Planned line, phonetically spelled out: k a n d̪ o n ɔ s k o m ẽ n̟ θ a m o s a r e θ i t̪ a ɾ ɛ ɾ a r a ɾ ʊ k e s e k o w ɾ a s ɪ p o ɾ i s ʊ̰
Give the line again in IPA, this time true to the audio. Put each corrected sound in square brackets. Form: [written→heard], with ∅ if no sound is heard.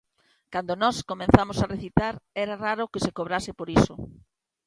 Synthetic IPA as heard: k a n d̪ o n ɔ s k o m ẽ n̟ θ a m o s a r e θ i t̪ a ɾ ɛ ɾ a r a ɾ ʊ k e s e k o [w→β] ɾ a s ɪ p o ɾ i s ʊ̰